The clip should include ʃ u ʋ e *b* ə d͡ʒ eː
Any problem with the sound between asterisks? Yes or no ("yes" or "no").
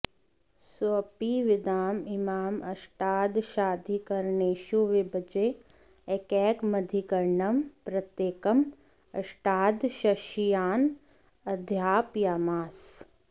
no